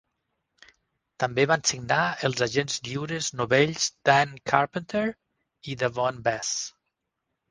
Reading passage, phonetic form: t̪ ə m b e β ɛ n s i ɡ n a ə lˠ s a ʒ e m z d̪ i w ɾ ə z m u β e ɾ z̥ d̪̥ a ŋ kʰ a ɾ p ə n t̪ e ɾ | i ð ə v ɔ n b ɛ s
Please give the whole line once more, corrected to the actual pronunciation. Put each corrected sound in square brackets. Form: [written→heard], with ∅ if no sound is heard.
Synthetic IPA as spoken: t̪ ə m b e β [ɛ→a] n s i ɡ n a ə lˠ [s→z] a ʒ e [m→n] z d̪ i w ɾ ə z [m→n] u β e [ɾ→ʎ] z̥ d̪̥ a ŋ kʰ a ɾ p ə n t̪ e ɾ | i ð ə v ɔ n b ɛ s